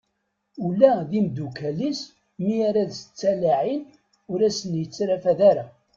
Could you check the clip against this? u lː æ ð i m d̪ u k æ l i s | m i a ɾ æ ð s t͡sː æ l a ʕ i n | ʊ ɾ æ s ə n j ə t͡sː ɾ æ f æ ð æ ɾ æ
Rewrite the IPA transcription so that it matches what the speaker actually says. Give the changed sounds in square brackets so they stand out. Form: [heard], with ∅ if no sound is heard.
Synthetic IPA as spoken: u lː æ ð i m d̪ u k æ l i s | m i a ɾ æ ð s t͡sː æ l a ʕ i n | ʊ ɾ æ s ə n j ə t͡sː ɾ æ f æ ð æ ɾ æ